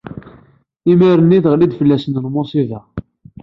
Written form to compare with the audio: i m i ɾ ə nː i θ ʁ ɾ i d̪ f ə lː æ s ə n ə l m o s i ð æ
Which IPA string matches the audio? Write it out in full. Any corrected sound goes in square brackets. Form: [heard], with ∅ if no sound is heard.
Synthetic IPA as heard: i m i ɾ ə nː i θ ʁ [l] i d̪ f ə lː æ s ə n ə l m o s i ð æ